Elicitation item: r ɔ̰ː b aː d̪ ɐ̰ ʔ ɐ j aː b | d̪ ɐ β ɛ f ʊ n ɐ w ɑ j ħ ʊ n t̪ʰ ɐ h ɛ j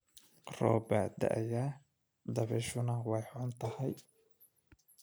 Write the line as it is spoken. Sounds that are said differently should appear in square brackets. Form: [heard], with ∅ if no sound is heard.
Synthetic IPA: r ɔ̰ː b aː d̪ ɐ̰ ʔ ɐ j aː [∅] | d̪ ɐ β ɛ [ʃ] ʊ n ɐ w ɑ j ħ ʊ n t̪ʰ ɐ h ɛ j